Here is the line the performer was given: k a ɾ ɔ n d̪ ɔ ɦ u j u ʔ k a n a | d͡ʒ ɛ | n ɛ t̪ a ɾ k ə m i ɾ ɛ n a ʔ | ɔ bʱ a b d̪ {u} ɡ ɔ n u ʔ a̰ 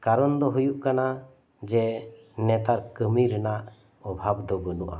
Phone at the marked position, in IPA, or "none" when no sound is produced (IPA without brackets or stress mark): ɔ